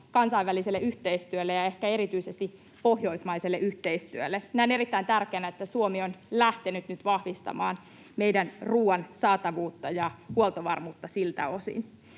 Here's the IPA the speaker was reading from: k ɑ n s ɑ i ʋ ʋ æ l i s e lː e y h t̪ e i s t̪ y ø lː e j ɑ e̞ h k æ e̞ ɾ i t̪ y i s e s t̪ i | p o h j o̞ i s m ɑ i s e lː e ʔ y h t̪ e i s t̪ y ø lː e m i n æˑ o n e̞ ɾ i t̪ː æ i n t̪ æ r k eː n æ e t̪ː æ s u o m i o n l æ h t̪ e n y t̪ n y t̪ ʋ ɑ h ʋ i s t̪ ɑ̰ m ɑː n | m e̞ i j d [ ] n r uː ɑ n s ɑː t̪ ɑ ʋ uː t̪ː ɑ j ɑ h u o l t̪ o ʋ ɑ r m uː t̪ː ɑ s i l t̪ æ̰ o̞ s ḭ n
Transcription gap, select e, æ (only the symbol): æ